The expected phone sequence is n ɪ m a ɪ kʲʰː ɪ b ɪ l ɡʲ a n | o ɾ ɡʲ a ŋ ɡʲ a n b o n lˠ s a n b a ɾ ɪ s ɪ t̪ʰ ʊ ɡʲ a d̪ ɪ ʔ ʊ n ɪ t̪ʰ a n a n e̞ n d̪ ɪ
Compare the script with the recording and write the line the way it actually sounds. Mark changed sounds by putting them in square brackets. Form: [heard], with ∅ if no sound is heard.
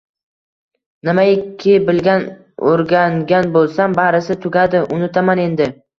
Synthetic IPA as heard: n ɪ m a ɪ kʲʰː ɪ b ɪ l ɡʲ a n | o ɾ ɡʲ a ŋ ɡʲ a n b o [∅] lˠ s a [m] b a ɾ ɪ s ɪ t̪ʰ ʊ ɡʲ a d̪ ɪ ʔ ʊ n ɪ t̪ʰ a [m] a n e̞ n d̪ ɪ